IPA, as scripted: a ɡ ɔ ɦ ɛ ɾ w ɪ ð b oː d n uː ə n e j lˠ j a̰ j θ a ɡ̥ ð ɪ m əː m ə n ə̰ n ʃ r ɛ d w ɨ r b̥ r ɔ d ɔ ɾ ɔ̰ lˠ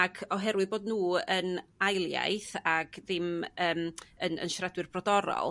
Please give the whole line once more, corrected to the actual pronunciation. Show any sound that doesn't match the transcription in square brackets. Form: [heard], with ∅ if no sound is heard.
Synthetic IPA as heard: a ɡ ɔ ɦ ɛ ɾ w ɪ ð b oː d n uː ə n [a] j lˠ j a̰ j θ a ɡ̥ ð ɪ m əː m ə n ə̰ n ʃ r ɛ d w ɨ r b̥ r ɔ d ɔ ɾ ɔ̰ lˠ